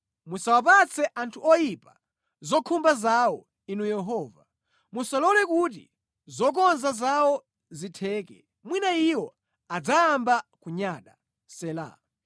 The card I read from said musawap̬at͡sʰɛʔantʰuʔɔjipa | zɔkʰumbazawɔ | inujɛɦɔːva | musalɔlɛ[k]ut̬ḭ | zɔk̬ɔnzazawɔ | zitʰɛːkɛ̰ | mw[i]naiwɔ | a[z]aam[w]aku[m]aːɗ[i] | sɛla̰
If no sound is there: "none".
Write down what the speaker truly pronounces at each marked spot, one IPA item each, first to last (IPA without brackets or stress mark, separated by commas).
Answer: k, i, d͡z, b, ɲ, a